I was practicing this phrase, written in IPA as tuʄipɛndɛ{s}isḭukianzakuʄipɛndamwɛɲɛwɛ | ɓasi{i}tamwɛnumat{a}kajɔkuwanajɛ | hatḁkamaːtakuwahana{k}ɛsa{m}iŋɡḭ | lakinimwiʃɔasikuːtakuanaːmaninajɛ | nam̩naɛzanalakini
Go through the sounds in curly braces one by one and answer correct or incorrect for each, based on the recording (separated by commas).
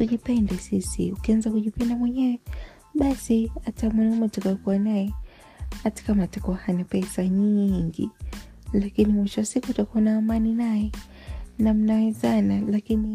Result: correct, incorrect, correct, incorrect, incorrect